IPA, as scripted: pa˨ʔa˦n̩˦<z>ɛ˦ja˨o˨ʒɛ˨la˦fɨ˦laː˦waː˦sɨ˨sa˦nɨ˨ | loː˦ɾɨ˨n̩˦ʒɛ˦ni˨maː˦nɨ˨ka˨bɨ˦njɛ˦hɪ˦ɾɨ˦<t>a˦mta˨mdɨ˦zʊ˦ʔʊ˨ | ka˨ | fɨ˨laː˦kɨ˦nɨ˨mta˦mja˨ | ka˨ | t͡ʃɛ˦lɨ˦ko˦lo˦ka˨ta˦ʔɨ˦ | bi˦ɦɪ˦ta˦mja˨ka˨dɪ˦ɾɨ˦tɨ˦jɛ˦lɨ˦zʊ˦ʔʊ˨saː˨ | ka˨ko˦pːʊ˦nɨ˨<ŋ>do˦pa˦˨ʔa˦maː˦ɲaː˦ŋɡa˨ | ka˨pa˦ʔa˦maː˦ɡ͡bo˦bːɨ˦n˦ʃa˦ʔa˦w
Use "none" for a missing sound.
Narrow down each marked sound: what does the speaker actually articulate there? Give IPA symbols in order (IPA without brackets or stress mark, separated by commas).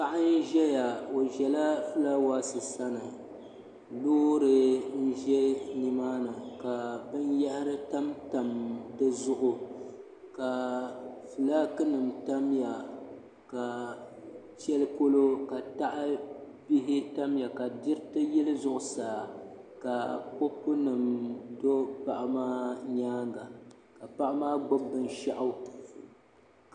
ʒ, t, m